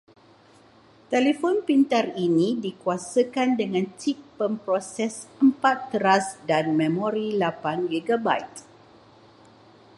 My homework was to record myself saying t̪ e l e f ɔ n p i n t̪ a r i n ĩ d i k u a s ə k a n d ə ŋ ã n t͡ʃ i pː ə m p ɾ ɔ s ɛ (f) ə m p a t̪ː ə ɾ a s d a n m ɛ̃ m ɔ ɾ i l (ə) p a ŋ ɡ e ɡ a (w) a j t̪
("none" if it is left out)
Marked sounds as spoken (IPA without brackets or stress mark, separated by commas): s, a, b